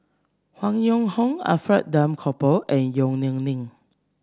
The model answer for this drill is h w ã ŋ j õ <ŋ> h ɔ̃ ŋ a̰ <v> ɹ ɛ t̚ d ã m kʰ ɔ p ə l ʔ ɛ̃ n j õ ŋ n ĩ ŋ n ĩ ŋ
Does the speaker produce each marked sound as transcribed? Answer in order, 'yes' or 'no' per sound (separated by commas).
yes, no